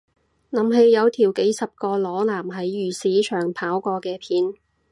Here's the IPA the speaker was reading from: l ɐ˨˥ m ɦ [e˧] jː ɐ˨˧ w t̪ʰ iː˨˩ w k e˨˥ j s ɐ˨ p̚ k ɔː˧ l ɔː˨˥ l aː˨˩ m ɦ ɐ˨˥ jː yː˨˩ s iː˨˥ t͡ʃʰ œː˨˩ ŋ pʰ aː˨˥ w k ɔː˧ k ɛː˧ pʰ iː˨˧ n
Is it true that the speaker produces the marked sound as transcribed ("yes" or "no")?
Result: yes